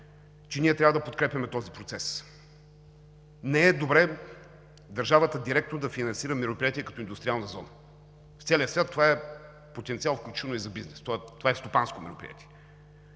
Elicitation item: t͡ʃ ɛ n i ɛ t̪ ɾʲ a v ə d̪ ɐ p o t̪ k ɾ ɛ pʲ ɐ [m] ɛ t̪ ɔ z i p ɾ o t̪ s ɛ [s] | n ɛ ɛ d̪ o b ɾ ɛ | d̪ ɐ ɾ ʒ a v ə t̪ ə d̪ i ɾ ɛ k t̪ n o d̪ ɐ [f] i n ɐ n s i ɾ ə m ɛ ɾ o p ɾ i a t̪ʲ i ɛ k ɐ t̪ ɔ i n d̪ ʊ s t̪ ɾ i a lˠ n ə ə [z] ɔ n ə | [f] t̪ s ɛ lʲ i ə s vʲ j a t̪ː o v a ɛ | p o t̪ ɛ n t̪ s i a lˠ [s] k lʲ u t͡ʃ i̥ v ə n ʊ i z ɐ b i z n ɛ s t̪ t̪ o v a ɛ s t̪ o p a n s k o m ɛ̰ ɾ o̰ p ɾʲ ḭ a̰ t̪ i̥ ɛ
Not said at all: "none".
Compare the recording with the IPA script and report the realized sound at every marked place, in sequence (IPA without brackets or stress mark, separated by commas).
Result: m, s, f, z, f, f